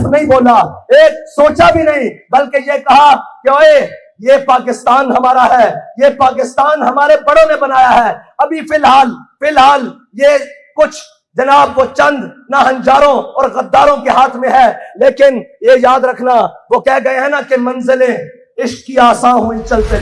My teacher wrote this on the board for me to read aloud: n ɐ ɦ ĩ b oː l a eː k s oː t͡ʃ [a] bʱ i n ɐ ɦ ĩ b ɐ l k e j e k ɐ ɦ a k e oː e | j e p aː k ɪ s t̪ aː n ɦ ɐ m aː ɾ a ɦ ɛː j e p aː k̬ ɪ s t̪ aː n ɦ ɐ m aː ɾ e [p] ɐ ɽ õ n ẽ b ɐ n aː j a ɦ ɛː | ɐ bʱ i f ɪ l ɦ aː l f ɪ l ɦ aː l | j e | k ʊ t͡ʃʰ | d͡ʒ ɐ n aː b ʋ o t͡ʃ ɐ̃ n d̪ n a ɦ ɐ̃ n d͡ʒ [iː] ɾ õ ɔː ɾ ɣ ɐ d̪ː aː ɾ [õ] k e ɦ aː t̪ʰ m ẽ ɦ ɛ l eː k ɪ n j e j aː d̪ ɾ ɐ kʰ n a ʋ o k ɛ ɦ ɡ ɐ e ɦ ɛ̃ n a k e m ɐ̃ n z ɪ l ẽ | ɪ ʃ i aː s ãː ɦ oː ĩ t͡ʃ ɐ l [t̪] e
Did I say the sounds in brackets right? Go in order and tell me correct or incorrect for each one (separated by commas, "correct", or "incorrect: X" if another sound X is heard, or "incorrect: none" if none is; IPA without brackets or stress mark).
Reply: correct, incorrect: b, incorrect: aː, correct, correct